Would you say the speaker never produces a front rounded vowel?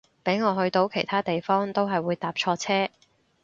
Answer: yes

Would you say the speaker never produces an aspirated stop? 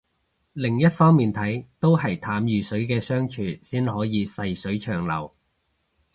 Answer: no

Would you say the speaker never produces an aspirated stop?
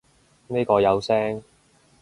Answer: yes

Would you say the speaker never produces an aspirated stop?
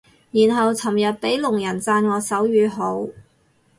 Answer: no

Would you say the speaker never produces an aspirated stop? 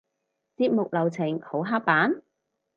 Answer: no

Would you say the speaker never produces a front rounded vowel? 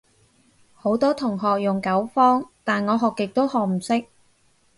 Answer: yes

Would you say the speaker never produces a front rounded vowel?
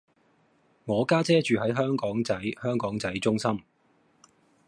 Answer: no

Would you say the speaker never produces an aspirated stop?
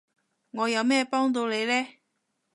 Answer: yes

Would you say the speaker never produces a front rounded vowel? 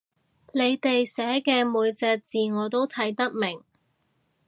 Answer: yes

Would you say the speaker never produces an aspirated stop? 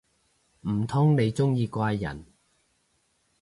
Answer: no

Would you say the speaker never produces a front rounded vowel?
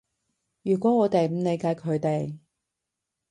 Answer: no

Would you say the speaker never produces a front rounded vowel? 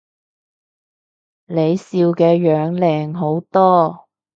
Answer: no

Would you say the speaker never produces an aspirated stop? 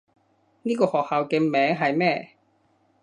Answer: yes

